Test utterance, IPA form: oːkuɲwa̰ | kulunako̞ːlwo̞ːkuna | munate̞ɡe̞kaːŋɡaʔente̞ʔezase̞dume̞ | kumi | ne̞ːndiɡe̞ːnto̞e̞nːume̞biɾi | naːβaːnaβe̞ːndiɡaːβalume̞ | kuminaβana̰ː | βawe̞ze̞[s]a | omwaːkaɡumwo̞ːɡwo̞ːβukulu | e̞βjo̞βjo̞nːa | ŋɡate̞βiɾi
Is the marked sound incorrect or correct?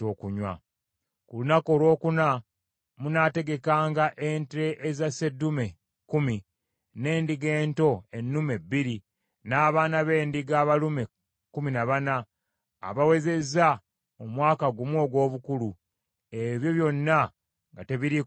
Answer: incorrect